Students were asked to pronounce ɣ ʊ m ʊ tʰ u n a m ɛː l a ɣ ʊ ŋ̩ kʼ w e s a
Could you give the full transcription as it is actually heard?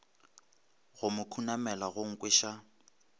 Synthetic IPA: ɣ ʊ m ʊ kʰ u n a m ɛ l a ɣ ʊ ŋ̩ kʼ w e ʃ a